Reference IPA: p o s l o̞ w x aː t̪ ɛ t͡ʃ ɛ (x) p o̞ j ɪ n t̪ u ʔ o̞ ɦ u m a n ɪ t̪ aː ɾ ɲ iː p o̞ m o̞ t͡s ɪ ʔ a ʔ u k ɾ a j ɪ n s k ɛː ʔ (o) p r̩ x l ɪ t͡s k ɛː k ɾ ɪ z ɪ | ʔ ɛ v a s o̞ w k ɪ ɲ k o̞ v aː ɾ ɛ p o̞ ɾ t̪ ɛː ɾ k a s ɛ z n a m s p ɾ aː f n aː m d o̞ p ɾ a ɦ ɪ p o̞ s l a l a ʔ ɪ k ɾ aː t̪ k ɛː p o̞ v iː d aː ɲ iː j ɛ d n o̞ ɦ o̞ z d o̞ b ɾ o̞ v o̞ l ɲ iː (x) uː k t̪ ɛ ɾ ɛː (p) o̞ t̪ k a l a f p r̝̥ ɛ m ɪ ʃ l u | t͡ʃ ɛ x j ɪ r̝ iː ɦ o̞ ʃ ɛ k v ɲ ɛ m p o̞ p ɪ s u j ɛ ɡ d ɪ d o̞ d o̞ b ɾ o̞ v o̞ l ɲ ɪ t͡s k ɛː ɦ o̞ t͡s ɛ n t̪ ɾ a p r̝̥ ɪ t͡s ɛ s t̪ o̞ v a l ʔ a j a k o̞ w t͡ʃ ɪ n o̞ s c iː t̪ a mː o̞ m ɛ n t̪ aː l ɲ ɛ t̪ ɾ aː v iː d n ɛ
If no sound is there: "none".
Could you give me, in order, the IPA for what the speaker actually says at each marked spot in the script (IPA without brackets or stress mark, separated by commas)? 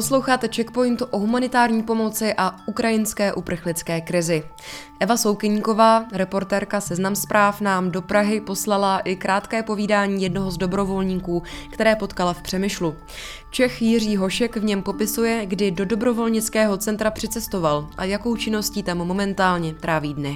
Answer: k, u, k, p